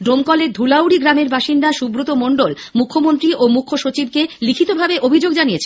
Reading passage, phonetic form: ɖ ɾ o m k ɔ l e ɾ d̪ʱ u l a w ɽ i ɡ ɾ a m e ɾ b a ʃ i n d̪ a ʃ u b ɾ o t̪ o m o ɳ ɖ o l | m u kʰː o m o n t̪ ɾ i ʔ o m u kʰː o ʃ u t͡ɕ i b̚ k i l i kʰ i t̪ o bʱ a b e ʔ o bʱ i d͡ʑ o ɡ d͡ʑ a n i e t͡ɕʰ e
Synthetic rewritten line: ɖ ɾ o m k ɔ l e ɾ d̪ʱ u l a w ɽ i ɡ ɾ a m e ɾ b a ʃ i n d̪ a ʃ u b ɾ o t̪ o m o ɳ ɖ o l | m u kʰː o m o n t̪ ɾ i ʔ o m u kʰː o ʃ o t͡ɕ i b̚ k e l i kʰ i t̪ o bʱ a b e ʔ o bʱ i d͡ʑ o ɡ d͡ʑ a n i e t͡ɕʰ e

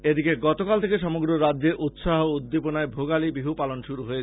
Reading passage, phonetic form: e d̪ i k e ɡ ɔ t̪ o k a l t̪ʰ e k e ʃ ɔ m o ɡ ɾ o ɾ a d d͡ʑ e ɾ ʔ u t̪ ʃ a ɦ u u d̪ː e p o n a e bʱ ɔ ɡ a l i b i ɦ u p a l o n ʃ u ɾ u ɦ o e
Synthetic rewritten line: e d̪ i k e ɡ ɔ t̪ o k a l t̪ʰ e k e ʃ ɔ m o ɡ ɾ o ɾ a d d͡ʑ e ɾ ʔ u t̪ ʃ a ɦ o u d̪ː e p o n a e bʱ o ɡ a l i b i ɦ u p a l o n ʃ u ɾ u ɦ o e

